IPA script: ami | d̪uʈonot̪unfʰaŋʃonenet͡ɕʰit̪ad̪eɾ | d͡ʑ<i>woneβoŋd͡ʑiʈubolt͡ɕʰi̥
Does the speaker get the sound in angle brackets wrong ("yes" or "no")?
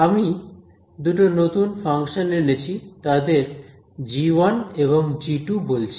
no